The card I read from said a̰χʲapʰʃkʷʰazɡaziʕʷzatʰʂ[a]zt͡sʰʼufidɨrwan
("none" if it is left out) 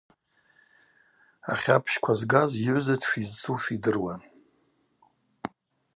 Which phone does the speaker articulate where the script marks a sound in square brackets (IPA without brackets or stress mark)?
i